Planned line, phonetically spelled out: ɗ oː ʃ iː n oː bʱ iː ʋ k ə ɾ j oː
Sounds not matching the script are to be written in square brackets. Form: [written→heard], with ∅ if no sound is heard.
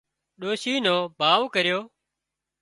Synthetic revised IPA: ɗ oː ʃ iː n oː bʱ [iː→aː] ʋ k ə ɾ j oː